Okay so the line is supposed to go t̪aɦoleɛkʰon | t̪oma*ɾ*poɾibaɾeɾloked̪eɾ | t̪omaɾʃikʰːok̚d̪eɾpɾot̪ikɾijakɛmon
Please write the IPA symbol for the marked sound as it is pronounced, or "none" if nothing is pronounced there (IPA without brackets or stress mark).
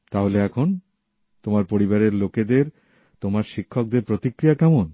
ɾ